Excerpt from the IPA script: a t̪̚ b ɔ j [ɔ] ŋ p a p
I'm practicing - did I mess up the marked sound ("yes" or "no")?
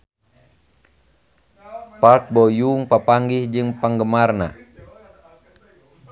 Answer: yes